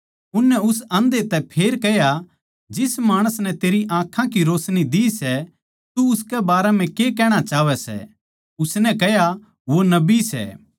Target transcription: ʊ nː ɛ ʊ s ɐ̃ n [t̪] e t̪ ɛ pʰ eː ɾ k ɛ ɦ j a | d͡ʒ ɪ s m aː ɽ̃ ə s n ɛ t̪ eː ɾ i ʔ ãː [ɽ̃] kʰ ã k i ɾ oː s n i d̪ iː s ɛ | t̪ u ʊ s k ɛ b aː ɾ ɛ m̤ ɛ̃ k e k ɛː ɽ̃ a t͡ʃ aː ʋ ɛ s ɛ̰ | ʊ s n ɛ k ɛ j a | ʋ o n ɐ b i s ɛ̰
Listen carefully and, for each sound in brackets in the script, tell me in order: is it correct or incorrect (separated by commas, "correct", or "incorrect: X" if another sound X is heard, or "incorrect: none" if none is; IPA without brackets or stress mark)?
incorrect: d̪, incorrect: none